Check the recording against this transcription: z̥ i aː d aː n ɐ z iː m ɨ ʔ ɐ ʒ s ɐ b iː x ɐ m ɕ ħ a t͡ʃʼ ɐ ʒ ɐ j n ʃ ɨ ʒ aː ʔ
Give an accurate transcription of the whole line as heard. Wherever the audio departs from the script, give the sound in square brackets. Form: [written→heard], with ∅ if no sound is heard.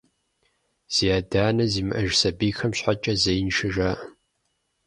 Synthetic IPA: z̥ i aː d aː n ɐ z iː m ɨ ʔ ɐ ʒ s ɐ b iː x ɐ m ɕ ħ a t͡ʃʼ ɐ [ʒ→z] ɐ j n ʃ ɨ ʒ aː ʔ